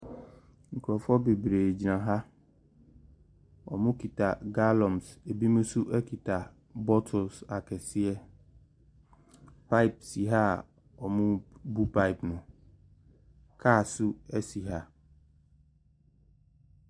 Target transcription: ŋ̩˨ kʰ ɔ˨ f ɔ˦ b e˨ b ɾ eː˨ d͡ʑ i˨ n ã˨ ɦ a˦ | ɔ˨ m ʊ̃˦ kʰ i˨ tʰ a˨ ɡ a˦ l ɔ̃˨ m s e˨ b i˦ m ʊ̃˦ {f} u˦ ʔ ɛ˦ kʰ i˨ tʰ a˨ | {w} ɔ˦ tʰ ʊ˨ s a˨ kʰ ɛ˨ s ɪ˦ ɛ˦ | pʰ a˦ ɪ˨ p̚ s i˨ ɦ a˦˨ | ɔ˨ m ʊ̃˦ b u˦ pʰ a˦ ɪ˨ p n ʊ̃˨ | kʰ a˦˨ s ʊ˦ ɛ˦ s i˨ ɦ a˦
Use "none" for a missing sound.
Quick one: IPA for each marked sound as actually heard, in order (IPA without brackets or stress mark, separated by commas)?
s, b